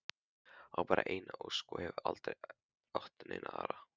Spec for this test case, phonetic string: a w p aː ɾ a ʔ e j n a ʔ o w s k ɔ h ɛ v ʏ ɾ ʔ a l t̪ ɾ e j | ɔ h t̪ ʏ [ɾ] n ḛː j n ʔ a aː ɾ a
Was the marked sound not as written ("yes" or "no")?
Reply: yes